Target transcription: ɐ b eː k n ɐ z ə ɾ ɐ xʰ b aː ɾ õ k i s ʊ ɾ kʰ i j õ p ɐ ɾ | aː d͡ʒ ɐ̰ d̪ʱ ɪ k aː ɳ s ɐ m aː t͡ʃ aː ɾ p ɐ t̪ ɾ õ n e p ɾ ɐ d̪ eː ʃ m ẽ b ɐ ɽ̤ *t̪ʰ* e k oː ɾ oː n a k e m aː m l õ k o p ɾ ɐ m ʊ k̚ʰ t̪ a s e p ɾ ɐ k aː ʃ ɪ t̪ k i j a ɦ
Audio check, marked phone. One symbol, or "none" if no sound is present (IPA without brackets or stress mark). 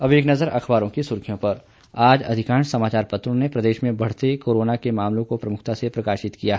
t̪